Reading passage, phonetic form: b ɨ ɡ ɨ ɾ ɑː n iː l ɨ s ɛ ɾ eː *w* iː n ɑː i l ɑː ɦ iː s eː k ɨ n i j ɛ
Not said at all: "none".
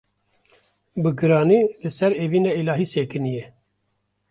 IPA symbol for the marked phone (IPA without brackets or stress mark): v